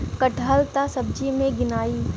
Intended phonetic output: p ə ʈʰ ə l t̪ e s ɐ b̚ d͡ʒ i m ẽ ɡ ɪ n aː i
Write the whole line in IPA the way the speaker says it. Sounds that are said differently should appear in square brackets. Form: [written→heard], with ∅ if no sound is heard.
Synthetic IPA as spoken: [p→k] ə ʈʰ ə l t̪ [e→a] s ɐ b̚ d͡ʒ i m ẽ ɡ ɪ n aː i